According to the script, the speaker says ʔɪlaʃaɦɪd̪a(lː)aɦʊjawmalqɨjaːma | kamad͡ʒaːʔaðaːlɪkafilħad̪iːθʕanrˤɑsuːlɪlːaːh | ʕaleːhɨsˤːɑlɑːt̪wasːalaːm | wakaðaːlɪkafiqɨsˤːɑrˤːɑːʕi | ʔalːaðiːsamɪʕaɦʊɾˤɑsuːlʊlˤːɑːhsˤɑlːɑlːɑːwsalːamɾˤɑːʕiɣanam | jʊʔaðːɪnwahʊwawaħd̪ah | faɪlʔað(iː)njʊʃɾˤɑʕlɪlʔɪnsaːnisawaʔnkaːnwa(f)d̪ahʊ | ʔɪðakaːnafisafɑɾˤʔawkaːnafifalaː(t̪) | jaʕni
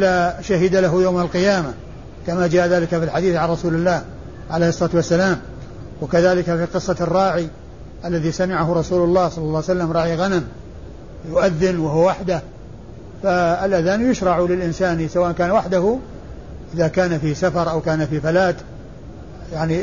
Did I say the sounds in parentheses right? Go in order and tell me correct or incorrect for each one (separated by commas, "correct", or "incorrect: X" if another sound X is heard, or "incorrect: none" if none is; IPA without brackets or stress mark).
incorrect: l, incorrect: aː, incorrect: ħ, correct